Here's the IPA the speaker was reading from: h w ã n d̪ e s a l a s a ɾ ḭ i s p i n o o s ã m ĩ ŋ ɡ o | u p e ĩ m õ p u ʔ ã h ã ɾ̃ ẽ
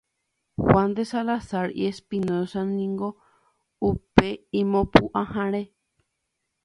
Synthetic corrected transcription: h w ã n d̪ e s a l a s a ɾ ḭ e s p i n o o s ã n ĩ ŋ ɡ o | u p e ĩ m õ p u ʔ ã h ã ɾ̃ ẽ